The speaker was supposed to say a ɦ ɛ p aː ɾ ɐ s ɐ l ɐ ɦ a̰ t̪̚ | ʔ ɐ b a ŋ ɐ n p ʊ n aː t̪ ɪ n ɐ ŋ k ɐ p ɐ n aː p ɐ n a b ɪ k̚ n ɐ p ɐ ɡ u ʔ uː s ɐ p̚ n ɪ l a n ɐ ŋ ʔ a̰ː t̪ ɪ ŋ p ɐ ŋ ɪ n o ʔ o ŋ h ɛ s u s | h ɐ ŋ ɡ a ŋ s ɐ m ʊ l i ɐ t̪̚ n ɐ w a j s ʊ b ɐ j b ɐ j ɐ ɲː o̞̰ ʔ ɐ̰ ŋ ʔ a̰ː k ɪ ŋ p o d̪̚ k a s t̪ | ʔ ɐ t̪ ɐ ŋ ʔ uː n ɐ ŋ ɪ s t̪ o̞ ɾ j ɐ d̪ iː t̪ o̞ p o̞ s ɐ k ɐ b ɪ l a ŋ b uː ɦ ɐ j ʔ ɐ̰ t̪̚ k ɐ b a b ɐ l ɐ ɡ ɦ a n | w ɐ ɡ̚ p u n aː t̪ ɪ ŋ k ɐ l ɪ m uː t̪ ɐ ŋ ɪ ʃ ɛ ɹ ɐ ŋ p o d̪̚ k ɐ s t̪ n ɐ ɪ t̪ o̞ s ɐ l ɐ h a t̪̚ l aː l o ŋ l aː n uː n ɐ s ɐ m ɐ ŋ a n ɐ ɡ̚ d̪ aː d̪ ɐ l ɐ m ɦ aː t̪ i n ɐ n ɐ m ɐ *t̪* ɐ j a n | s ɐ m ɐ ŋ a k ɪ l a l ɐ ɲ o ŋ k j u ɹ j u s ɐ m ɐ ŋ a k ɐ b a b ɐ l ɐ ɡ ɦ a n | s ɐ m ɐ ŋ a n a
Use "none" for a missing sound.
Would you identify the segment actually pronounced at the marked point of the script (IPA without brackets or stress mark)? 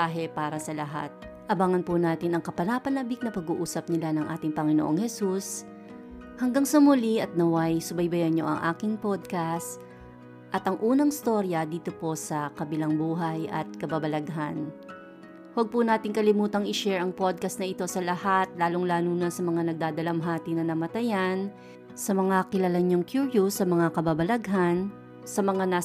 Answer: t̪